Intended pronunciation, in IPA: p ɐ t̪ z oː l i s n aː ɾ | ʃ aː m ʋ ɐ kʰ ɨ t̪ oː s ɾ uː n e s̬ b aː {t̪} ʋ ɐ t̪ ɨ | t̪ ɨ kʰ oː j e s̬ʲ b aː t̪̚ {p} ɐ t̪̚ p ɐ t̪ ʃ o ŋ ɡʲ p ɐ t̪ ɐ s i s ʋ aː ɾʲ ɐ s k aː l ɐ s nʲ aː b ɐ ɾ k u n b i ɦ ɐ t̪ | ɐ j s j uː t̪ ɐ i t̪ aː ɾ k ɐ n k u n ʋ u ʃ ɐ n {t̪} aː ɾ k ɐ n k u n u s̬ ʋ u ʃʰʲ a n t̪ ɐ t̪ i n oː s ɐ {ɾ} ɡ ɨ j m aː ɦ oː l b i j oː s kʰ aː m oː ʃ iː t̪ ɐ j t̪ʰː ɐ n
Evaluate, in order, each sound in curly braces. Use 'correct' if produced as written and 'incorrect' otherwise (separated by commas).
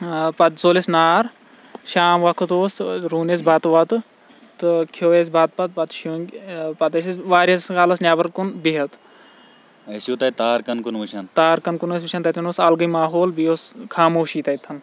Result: correct, correct, correct, incorrect